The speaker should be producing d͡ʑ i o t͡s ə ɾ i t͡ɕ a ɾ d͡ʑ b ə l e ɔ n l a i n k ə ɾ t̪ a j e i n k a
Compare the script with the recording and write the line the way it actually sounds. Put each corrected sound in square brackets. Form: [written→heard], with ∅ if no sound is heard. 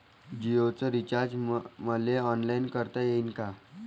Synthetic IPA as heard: d͡ʑ i o t͡s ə ɾ i t͡ɕ a ɾ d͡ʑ [b→m] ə l e ɔ n l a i n k ə ɾ t̪ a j e i n k a